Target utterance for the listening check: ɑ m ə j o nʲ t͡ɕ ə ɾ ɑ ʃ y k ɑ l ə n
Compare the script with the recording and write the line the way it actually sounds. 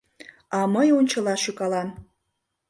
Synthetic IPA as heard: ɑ m ə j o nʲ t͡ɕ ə l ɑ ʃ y k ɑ l ɑ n